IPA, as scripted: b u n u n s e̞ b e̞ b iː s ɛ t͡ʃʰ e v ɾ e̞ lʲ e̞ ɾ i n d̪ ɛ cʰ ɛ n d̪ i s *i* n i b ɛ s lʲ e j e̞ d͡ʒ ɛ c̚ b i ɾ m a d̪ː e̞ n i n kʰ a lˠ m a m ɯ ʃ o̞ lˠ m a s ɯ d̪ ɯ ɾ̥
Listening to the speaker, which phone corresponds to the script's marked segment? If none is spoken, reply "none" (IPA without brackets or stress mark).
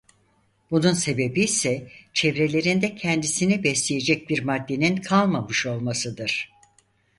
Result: i